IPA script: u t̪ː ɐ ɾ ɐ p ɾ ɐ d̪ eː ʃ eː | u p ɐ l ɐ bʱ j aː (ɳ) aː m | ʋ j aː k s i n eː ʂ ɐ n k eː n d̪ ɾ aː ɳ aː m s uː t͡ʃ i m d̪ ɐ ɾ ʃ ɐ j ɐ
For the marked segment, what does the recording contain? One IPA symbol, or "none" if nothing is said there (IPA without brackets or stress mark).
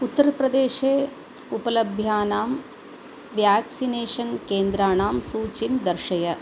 n